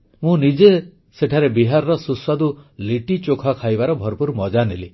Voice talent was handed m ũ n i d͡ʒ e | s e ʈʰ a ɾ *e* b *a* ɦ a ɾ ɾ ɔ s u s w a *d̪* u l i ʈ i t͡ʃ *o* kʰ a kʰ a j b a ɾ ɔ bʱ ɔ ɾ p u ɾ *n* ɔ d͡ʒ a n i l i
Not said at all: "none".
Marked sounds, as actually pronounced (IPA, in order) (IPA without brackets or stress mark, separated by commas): e, i, d̪, o, m